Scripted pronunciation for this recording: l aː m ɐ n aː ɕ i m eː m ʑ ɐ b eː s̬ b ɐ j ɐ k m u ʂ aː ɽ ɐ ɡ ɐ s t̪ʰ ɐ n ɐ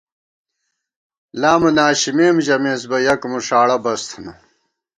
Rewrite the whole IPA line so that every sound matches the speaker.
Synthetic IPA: l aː m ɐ n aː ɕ i m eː m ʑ ɐ m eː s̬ b ɐ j ɐ k m u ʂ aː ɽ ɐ b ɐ s t̪ʰ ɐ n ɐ